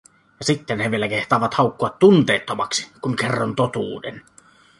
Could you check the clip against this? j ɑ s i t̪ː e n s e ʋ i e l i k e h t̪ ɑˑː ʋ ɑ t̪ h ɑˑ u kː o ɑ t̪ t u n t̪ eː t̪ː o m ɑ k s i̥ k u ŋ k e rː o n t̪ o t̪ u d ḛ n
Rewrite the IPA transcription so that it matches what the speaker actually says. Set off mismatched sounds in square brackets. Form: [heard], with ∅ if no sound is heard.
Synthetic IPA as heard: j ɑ s i t̪ː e n [h] e ʋ i e l [æ] k e h t̪ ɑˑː ʋ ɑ t̪ h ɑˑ u kː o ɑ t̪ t u n t̪ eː t̪ː o m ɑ k s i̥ k u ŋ k e rː o n t̪ o t̪ [uː] d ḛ n